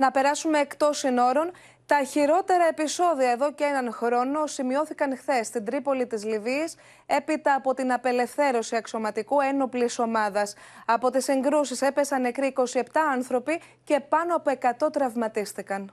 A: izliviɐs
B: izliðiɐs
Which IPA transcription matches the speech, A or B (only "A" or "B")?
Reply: A